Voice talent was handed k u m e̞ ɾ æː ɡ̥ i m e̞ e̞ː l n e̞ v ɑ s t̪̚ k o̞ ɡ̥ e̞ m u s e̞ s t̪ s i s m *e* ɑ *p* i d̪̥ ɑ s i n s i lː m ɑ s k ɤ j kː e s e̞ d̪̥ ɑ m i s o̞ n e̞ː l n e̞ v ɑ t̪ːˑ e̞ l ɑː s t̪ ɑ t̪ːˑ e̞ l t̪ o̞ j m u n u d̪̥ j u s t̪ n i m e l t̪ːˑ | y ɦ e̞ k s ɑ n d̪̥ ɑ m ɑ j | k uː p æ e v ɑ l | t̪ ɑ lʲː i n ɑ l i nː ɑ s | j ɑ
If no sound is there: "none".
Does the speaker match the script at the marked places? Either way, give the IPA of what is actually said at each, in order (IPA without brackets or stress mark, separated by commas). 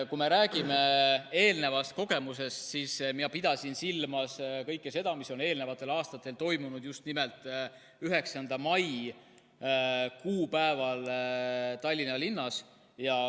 i, p